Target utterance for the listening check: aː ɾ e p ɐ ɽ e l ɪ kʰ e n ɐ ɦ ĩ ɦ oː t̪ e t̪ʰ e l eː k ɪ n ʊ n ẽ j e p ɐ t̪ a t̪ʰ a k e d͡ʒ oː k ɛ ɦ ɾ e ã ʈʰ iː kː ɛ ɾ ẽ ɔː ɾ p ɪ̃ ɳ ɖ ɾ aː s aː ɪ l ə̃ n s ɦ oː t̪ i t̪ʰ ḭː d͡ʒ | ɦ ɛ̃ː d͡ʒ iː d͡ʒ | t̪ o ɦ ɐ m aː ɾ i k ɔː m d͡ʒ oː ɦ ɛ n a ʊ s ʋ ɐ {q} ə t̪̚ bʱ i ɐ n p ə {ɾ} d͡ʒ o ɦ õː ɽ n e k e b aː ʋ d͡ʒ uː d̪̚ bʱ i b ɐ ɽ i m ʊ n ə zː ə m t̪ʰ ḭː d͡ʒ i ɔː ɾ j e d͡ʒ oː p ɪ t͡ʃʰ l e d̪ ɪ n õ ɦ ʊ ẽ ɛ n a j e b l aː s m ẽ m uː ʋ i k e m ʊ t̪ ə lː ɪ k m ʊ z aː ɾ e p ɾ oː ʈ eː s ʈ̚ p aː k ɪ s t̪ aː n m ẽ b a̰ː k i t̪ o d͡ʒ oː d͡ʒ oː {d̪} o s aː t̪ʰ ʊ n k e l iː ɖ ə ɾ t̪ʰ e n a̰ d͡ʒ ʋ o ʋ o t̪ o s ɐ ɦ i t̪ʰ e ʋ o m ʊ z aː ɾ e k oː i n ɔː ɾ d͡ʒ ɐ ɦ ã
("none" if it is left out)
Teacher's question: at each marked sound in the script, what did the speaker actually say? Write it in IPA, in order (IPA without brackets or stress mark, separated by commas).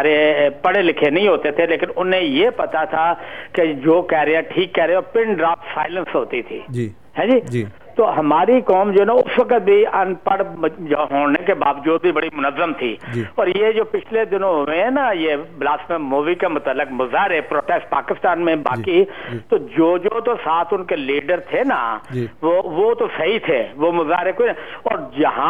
k, ɽ, t̪